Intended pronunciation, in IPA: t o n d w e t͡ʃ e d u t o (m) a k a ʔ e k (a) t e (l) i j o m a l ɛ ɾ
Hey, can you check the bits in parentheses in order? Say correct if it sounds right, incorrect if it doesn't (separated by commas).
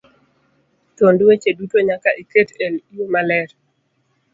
incorrect, incorrect, correct